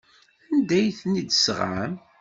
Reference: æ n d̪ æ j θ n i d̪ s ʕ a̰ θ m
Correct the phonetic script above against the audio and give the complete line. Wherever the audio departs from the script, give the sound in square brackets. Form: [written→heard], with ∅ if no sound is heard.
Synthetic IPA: æ n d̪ æ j θ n i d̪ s [ʕ→ʁ] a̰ [θ→∅] m